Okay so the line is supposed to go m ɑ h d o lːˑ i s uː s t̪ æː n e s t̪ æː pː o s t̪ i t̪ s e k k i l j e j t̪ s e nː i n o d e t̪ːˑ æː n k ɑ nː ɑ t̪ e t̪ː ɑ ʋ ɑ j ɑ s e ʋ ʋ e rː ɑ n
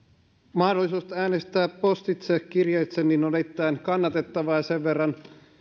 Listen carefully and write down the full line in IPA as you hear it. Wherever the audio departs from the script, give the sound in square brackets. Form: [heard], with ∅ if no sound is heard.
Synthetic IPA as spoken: m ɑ h d o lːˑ i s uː s t̪ æː n e s t̪ æː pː o s t̪ i t̪ s e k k i [r] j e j t̪ s e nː i n o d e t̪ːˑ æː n k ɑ nː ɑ t̪ e t̪ː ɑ ʋ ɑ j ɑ s e ʋ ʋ e rː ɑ n